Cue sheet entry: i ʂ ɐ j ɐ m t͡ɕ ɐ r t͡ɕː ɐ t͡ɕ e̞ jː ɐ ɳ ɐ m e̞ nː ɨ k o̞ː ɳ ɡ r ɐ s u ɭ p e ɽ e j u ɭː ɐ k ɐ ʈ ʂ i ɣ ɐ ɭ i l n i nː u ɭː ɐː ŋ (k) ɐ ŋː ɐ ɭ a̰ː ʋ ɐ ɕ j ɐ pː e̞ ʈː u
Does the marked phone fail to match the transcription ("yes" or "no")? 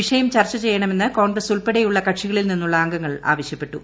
yes